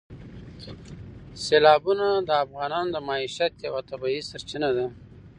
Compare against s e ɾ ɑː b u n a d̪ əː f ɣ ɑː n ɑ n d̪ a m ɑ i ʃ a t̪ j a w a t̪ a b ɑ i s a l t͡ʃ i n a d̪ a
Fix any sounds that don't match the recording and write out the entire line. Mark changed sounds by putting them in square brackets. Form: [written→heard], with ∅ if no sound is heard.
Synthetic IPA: s e [ɾ→l] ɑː b u n a d̪ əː f ɣ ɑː n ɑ n d̪ [a→ə] m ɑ i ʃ a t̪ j a w a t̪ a b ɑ i s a [l→ɾ] t͡ʃ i n a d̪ a